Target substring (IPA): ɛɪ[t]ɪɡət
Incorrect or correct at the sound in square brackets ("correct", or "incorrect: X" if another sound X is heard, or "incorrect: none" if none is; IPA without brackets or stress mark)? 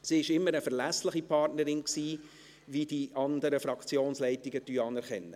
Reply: correct